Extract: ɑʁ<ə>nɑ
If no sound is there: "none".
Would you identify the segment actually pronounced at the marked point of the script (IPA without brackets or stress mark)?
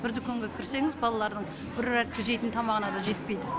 ə